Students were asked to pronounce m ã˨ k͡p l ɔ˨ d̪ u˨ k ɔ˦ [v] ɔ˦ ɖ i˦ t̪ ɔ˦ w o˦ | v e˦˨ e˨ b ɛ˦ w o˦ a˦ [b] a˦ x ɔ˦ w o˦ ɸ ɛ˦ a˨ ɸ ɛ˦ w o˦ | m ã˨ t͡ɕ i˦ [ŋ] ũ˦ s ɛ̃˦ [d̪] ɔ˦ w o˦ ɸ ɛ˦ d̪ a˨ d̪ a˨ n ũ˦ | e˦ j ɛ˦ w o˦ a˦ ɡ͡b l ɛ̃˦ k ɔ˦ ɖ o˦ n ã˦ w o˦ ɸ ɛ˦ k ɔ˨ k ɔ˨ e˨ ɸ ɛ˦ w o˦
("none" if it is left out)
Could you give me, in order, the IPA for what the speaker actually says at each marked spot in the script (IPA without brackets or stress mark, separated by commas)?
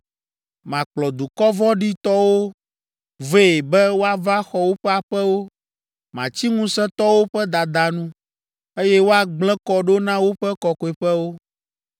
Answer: v, v, ŋ, t̪